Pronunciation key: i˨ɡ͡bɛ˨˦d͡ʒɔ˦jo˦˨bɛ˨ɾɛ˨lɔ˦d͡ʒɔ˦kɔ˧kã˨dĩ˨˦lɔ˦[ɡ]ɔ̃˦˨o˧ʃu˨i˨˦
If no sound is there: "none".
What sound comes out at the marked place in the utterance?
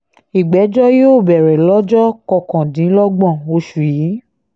ɡ͡b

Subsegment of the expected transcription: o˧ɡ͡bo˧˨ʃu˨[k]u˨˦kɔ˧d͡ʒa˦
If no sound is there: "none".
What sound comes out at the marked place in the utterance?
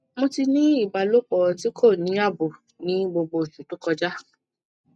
t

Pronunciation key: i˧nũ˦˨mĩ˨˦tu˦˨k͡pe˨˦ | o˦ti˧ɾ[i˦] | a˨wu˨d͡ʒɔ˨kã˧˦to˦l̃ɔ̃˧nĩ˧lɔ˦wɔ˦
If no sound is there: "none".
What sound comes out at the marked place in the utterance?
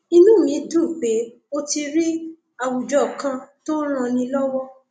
i˦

